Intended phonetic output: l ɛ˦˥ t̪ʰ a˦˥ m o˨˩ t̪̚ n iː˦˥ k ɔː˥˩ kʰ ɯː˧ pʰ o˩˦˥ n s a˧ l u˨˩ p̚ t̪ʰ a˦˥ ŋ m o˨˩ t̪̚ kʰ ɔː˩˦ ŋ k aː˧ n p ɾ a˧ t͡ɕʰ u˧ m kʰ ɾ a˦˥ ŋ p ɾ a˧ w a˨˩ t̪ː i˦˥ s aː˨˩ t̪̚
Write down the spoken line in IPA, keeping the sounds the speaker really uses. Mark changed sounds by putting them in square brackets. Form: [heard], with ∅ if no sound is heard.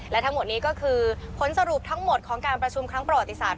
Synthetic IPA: l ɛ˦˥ t̪ʰ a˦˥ m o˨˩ t̪̚ n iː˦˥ k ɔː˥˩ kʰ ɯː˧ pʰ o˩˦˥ n s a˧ [ɾ] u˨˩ p̚ t̪ʰ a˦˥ ŋ m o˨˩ t̪̚ kʰ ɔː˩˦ ŋ k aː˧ n p ɾ a˧ t͡ɕʰ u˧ m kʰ ɾ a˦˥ ŋ p ɾ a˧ w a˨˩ t̪ː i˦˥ s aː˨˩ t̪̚